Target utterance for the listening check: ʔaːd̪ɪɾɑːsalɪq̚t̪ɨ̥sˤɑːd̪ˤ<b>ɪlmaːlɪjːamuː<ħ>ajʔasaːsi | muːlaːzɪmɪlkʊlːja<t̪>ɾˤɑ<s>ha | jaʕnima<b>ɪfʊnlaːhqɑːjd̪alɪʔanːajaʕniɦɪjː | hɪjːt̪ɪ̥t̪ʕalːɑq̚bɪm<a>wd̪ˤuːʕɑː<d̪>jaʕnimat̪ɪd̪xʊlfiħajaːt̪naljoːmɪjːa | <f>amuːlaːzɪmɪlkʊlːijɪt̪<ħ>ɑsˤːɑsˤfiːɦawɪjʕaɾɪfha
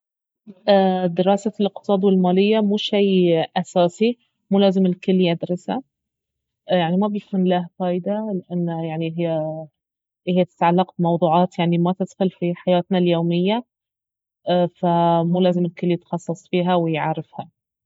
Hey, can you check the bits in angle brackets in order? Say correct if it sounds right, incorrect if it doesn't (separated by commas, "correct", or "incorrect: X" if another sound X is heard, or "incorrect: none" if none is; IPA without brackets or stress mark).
incorrect: w, incorrect: ʃ, incorrect: d̪, correct, correct, incorrect: ɑ, incorrect: t̪, correct, incorrect: x